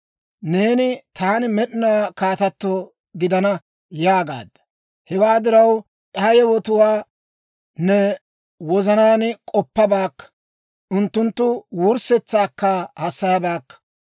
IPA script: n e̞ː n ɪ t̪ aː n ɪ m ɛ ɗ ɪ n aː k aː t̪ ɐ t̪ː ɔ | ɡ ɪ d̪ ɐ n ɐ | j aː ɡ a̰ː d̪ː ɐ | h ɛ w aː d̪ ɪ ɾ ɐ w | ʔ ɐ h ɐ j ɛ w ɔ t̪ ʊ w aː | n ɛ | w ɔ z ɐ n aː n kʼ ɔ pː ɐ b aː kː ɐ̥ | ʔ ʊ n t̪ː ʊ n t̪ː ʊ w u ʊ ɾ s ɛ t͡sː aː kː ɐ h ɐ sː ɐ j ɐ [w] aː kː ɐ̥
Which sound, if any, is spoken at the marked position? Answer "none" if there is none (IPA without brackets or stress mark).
b